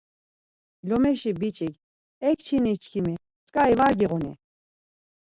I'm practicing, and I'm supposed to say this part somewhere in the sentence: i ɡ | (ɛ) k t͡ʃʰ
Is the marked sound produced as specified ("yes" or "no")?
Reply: yes